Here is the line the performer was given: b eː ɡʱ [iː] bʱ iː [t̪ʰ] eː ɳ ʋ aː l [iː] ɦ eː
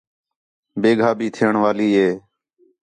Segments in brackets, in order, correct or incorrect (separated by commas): incorrect, correct, correct